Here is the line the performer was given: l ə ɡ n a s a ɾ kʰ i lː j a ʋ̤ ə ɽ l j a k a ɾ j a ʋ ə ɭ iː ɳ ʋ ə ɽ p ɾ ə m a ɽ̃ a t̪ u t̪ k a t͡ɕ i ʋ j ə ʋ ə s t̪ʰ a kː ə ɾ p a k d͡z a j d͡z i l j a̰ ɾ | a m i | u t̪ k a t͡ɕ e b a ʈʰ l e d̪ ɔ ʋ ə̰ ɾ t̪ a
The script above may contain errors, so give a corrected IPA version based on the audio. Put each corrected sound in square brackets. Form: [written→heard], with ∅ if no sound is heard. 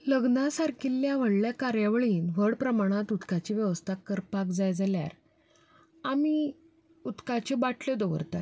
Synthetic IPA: l ə ɡ n a s a ɾ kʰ i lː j a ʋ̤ ə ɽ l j a k a ɾ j a ʋ ə ɭ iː [ɳ→n] ʋ ə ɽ p ɾ ə m a ɽ̃ a t̪ u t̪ k a t͡ɕ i ʋ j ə ʋ ə s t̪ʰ a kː ə ɾ p a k d͡z a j d͡z [i→a] l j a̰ ɾ | a m i | u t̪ k a t͡ɕ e b a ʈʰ l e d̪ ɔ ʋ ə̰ ɾ t̪ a